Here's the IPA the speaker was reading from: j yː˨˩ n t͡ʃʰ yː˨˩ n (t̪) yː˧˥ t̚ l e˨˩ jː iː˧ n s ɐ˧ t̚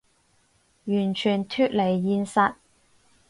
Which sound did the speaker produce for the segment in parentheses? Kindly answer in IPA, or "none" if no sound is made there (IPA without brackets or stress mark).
t̪ʰ